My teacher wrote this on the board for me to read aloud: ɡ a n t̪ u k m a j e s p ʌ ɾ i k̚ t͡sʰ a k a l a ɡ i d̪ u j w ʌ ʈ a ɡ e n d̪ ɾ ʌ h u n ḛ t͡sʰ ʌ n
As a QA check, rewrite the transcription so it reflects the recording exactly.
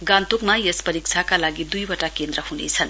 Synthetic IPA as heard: ɡ a n t̪ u k m a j e s p ʌ ɾ i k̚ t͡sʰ a k a l a ɡ i d̪ u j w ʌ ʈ a k e n d̪ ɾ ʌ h u n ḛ t͡sʰ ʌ n